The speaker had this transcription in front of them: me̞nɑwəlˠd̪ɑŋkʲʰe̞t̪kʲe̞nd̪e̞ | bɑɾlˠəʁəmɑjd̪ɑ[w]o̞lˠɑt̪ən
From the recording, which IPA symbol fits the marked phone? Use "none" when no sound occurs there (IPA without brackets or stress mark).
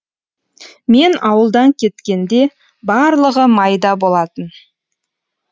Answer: b